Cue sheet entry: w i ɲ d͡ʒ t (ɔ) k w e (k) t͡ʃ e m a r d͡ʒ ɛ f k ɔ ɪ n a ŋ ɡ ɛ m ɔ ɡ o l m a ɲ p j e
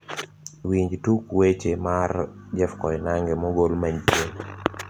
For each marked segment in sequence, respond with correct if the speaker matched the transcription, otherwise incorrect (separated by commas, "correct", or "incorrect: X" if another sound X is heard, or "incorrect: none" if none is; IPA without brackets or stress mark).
incorrect: u, incorrect: none